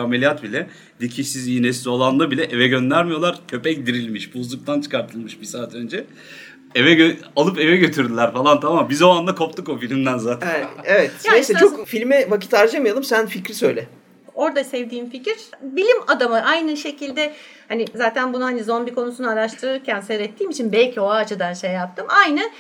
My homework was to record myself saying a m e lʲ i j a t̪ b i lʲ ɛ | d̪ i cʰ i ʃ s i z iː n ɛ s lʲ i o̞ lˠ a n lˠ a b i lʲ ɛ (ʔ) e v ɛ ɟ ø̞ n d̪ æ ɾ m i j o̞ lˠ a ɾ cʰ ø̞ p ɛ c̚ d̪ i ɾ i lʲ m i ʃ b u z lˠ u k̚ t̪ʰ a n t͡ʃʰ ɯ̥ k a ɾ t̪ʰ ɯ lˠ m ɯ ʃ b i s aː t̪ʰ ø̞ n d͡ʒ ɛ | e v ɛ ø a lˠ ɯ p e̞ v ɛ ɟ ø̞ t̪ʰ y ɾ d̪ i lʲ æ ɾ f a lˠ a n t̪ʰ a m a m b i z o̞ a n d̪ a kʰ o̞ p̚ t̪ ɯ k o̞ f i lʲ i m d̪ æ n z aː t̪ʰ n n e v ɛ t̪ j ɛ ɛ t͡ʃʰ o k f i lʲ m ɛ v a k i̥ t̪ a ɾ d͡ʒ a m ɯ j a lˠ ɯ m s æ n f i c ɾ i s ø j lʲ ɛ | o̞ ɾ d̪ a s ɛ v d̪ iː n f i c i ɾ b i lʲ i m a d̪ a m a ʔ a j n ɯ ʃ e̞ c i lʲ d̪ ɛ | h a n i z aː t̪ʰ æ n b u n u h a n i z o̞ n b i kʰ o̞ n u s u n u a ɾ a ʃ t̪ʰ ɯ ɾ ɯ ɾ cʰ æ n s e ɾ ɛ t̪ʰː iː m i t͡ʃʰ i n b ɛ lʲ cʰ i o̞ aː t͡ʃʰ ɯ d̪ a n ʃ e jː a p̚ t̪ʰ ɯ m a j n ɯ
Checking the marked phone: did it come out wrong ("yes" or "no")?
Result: no